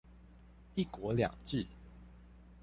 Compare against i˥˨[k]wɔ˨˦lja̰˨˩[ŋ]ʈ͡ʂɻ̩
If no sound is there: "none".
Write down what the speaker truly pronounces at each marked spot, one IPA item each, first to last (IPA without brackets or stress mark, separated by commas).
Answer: k, ŋ